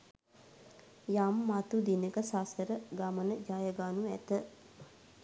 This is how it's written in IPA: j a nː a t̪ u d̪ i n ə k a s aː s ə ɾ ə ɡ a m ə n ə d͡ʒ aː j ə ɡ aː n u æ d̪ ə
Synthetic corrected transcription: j a mː a t̪ u d̪ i n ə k ə s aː s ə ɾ ə ɡ a m ə n ə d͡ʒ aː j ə ɡ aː n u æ t̪ ə